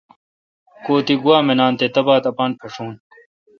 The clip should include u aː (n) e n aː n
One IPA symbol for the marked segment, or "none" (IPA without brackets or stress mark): m